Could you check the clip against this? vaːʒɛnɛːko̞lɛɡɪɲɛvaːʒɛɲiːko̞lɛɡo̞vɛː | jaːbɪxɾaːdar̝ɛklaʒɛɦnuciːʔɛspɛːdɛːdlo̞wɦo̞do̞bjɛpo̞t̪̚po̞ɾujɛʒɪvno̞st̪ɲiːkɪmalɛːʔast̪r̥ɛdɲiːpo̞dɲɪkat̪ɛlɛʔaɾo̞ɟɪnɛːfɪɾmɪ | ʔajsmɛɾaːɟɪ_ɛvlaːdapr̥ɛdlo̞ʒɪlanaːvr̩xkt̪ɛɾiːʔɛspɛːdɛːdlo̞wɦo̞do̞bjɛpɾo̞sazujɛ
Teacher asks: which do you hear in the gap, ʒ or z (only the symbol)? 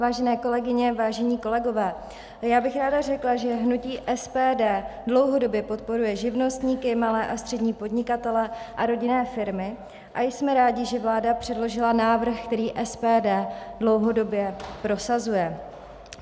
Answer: ʒ